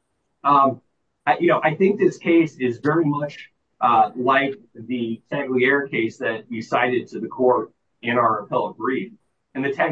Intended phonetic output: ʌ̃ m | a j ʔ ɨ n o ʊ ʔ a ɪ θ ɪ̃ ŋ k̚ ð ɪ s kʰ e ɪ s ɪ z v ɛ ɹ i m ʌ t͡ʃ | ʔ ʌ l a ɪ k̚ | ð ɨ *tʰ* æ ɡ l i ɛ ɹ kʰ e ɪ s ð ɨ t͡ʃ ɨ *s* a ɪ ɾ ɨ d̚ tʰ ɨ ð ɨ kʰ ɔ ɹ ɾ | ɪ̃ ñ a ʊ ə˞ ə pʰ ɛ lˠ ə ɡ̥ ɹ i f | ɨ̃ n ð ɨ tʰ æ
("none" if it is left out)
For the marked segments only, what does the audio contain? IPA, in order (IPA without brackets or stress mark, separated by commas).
tʰ, s